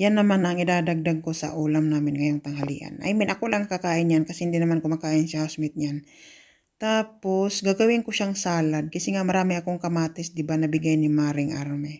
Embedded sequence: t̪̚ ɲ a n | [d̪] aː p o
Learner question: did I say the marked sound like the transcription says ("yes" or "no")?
no